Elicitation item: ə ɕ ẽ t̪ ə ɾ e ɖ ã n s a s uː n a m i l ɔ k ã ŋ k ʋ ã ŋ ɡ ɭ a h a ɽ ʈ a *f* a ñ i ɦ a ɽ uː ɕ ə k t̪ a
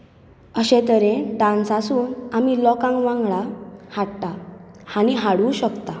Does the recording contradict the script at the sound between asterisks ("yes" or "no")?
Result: yes